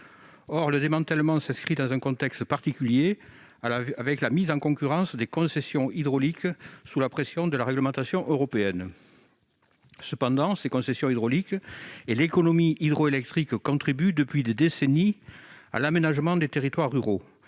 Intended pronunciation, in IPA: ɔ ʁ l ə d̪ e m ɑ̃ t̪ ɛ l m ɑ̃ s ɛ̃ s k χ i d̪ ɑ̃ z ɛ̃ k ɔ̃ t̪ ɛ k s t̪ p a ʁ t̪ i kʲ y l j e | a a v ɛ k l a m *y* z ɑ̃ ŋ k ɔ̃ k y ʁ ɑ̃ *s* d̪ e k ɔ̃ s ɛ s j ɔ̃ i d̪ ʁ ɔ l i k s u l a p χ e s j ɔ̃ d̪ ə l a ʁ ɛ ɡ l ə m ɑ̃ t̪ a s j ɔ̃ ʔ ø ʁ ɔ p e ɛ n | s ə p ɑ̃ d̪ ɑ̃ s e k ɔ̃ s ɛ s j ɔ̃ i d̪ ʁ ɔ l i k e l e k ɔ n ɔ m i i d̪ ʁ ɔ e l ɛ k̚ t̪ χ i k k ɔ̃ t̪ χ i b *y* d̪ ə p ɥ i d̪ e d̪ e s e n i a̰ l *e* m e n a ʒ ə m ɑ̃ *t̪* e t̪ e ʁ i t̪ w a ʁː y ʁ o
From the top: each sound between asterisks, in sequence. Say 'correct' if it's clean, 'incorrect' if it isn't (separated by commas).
incorrect, correct, correct, incorrect, incorrect